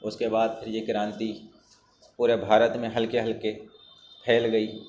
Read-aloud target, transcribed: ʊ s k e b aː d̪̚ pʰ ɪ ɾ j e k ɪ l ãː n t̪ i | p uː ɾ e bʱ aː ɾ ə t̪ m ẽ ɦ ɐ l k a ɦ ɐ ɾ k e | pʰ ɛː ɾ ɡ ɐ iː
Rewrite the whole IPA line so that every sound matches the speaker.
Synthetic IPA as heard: ʊ s k e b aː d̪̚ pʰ ɪ ɾ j e k ɪ ɾ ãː n t̪ i | p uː ɾ e bʱ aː ɾ ə t̪ m ẽ ɦ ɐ l k e ɦ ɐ l k e | pʰ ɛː l ɡ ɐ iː